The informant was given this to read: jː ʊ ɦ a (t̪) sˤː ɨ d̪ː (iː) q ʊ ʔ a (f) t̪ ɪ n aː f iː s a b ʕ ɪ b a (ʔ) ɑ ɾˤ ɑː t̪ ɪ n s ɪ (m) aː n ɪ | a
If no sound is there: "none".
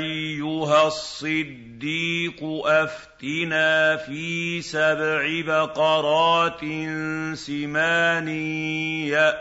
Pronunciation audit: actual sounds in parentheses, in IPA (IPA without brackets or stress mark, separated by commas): none, iː, f, q, m